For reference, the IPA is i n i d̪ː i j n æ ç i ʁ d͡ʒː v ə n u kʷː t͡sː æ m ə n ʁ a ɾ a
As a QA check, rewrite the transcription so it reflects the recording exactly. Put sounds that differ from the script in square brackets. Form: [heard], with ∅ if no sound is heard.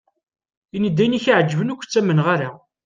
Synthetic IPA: i n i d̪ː [æ] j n [i] ç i [ʕ] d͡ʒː v ə n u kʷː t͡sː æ m ə n ʁ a ɾ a

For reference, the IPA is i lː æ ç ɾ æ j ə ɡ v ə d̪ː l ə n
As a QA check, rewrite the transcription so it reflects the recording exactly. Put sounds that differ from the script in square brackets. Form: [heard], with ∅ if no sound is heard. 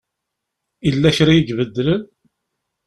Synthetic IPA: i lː æ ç ɾ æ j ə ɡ v ə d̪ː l ə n

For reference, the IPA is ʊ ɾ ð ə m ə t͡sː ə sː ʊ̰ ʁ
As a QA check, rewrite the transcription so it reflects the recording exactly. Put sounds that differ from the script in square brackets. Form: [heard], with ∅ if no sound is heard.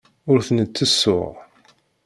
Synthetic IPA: ʊ ɾ [θ] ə [n] ə t͡sː ə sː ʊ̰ ʁ

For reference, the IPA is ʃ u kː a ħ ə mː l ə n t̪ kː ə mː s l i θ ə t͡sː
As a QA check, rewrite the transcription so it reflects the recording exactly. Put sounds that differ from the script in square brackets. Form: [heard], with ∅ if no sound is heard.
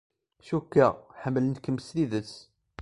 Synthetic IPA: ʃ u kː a ħ ə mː l ə n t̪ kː ə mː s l i [ð] ə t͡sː

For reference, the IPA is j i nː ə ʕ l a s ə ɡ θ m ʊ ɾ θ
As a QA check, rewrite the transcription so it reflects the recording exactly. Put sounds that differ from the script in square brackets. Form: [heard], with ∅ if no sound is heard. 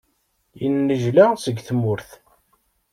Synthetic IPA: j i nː ə [ʒ] l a s ə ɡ θ m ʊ ɾ θ

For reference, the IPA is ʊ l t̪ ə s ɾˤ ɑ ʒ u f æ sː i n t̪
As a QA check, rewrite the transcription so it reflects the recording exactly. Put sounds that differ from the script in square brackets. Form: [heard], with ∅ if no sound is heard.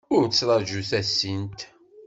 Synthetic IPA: ʊ [ɾ] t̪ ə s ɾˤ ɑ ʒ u [θ] æ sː i n t̪

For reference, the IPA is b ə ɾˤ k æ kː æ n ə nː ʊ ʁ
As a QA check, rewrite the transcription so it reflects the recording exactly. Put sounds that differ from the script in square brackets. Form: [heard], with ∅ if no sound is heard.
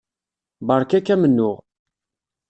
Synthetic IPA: b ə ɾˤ k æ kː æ [m] ə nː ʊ ʁ

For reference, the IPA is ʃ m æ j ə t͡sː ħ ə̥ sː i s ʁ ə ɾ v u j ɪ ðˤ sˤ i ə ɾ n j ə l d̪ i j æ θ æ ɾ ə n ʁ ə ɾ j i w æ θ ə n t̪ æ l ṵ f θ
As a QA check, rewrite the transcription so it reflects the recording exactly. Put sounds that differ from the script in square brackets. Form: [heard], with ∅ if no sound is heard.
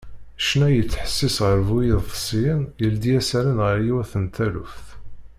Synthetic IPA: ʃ [n] æ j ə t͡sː ħ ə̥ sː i s ʁ ə ɾ v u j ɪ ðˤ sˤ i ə [∅] n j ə l d̪ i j æ [s] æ ɾ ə n ʁ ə ɾ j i w æ θ ə n t̪ æ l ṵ f θ

